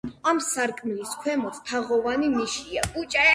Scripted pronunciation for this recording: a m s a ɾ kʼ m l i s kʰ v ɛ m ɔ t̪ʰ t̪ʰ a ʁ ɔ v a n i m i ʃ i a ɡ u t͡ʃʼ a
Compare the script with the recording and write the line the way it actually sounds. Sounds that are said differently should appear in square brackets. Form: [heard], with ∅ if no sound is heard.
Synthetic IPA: a m s a ɾ kʼ m l i s kʰ [w] ɛ m ɔ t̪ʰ t̪ʰ a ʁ ɔ v a n i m i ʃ i a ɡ u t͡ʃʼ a